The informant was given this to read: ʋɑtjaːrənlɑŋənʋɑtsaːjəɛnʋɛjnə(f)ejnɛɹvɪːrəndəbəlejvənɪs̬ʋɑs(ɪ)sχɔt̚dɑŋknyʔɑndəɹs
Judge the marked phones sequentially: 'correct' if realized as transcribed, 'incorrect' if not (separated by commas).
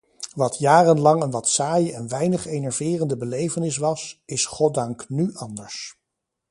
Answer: incorrect, correct